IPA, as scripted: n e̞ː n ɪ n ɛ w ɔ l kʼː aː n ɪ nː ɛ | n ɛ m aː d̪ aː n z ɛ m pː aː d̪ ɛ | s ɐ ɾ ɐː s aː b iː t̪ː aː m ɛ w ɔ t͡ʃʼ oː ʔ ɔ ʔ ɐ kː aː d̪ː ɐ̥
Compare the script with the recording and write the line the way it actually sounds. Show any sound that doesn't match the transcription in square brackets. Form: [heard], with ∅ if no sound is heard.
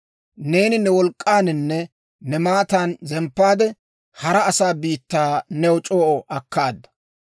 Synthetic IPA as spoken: n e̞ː n ɪ n ɛ w ɔ l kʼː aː n ɪ nː ɛ | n ɛ m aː [t̪] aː n z ɛ m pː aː d̪ ɛ | [h] ɐ ɾ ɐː s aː b iː t̪ː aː [n] ɛ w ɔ t͡ʃʼ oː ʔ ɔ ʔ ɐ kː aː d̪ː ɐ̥